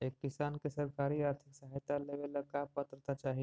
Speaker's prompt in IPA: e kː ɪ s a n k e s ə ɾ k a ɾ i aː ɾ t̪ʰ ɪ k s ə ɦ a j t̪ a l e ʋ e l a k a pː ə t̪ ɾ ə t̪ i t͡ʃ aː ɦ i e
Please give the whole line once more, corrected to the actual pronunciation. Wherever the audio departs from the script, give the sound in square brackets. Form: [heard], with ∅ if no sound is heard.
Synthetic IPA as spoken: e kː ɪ s a n k e s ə ɾ k a ɾ i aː ɾ t̪ʰ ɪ k s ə ɦ a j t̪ a l e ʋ e l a k a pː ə t̪ ɾ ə t̪ [a] t͡ʃ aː ɦ i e